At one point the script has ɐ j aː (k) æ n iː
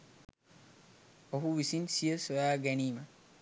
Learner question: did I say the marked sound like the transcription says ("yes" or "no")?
no